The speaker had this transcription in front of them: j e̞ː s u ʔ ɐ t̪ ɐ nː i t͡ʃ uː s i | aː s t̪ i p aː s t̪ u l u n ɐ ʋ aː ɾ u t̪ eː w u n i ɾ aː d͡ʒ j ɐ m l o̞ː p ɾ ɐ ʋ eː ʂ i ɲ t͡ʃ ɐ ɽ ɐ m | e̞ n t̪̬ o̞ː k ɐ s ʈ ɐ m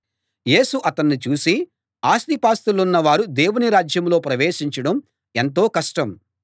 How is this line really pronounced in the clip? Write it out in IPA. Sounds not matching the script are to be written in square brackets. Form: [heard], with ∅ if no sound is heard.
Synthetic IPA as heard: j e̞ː s u ʔ ɐ t̪ ɐ nː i t͡ʃ uː s i | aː s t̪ i p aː s t̪ u l u [nː] ɐ ʋ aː ɾ u [d̪] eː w u n i ɾ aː d͡ʒ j ɐ m l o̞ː p ɾ ɐ ʋ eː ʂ i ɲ t͡ʃ ɐ ɽ ɐ m | e̞ n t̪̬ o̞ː k ɐ [ʂ] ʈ ɐ m

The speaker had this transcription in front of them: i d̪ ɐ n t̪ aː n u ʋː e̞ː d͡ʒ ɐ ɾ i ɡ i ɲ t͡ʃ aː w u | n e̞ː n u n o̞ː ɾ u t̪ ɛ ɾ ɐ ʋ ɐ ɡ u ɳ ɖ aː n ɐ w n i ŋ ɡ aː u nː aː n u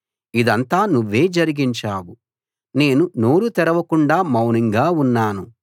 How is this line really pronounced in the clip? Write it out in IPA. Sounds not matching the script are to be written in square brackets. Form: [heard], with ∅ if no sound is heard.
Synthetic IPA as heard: i d̪ ɐ n t̪ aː n u ʋː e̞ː d͡ʒ ɐ ɾ i ɡ i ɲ t͡ʃ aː w u | n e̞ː n u n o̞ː ɾ u t̪ ɛ ɾ ɐ ʋ ɐ [k] u ɳ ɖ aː [m] ɐ w n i ŋ ɡ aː u nː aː n u

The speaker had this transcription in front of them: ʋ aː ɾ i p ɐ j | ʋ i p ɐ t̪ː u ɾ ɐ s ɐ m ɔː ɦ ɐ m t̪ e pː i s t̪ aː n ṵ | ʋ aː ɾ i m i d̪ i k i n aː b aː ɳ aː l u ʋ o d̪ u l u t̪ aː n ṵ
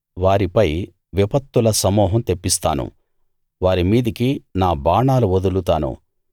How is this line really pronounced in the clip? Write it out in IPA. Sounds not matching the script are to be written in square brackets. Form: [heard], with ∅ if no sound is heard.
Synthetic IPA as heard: ʋ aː ɾ i p ɐ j | ʋ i p ɐ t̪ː u [l] ɐ s ɐ m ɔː ɦ ɐ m t̪ e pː i s t̪ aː n ṵ | ʋ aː ɾ i m [iː] d̪ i k i n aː b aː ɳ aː l u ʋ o d̪ u l u t̪ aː n ṵ

